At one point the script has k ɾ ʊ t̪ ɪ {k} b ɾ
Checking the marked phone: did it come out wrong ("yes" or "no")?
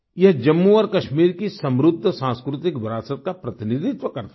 no